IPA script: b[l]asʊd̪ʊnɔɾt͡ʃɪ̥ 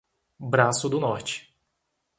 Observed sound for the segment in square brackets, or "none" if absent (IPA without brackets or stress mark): ɾ